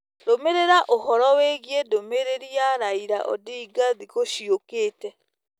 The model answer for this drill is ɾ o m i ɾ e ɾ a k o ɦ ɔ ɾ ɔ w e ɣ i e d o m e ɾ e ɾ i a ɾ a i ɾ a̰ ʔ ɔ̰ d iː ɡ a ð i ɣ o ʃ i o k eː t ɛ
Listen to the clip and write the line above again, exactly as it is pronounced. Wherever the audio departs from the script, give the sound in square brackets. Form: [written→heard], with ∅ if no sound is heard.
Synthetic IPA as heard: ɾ o m [i→e] ɾ e ɾ a [k→ʔ] o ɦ ɔ ɾ ɔ w e ɣ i e d o m e ɾ e ɾ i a ɾ a i ɾ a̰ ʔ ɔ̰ d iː ɡ a ð i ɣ o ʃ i o k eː t ɛ